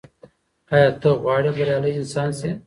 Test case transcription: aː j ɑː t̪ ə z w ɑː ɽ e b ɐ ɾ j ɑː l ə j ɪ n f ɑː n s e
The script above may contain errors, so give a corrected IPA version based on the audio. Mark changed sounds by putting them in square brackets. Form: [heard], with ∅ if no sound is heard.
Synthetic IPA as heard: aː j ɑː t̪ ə [ɣ] w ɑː ɽ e b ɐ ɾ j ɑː l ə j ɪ n [s] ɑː n s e